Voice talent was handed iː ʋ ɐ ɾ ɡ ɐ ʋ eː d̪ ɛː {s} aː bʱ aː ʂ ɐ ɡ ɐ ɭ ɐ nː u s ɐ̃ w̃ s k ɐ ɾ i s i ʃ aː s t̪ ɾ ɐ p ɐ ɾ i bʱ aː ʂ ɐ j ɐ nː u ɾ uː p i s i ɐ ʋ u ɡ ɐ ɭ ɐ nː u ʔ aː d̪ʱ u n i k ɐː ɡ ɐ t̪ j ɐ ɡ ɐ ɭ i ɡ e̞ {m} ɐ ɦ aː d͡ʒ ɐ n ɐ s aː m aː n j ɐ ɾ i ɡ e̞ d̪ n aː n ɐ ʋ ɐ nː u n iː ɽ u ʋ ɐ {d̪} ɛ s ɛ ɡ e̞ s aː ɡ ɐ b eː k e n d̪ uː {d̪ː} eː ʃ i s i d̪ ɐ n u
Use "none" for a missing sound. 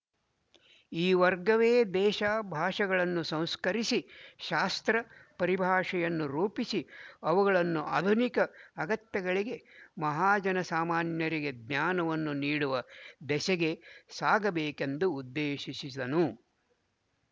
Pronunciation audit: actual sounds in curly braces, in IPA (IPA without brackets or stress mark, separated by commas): ʃ, m, d̪, d̪ː